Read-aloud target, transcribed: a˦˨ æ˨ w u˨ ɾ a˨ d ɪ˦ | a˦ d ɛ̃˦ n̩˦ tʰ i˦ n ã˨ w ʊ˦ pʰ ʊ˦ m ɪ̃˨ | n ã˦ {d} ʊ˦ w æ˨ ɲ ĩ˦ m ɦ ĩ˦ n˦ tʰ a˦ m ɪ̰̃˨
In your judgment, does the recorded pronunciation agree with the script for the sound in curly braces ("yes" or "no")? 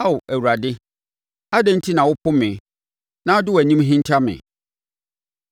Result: yes